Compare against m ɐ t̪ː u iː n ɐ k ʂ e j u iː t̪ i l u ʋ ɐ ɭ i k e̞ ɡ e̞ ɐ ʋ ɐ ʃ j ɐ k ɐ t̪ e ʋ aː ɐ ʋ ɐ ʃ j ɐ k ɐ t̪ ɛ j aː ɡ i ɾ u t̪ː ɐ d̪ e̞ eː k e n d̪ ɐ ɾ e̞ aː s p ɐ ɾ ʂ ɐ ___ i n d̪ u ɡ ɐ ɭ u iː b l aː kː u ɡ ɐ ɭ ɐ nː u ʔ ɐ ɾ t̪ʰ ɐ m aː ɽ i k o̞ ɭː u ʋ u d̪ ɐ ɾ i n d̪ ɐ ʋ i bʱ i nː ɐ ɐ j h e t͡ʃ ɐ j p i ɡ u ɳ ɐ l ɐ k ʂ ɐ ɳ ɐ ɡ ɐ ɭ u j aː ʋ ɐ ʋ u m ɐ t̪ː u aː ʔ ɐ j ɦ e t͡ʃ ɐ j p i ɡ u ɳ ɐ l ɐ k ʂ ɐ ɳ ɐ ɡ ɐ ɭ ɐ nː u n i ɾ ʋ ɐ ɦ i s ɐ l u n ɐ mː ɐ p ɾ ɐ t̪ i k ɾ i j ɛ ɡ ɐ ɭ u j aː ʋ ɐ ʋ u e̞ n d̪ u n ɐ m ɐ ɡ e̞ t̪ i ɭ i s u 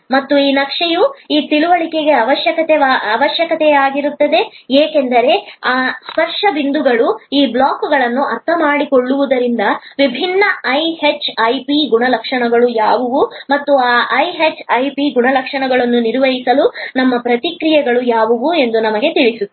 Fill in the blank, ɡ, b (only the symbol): b